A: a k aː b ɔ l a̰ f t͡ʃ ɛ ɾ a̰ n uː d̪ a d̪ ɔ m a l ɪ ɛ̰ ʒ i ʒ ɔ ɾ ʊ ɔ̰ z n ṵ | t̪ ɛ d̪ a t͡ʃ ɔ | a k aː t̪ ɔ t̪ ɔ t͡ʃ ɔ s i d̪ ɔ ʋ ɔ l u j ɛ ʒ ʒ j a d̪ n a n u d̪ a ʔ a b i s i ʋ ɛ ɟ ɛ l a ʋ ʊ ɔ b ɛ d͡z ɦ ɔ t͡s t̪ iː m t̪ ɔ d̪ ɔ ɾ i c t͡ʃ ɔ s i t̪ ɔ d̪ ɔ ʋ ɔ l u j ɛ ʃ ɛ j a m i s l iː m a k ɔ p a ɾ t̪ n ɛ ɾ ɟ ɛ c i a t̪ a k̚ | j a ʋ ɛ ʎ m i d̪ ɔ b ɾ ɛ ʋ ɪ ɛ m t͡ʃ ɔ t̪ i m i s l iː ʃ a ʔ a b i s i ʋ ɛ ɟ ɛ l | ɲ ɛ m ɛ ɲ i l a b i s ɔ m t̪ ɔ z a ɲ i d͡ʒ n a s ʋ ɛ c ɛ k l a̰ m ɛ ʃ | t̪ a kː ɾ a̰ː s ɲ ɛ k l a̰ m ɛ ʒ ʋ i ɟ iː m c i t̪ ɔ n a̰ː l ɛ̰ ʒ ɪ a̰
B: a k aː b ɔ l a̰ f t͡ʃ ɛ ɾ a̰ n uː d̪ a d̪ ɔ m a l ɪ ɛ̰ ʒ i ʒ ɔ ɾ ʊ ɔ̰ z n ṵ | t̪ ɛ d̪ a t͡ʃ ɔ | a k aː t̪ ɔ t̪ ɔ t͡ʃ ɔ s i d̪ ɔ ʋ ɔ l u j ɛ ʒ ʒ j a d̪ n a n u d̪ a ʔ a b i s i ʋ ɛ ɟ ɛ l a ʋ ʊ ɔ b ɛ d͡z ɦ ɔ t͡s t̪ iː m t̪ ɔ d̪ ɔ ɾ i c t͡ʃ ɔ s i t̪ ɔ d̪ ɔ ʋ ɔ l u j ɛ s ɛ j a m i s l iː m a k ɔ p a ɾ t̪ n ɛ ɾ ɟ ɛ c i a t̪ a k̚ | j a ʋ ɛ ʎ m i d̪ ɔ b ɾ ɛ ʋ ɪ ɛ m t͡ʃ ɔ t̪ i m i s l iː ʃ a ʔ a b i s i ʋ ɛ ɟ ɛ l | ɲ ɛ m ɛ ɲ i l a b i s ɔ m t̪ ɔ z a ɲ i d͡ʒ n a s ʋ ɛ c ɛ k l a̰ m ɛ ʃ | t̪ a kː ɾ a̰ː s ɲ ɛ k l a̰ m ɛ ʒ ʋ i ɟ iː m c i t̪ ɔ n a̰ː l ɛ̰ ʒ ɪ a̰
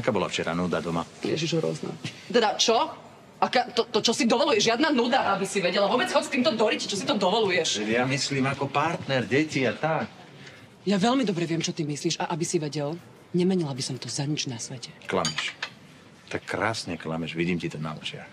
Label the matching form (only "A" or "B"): A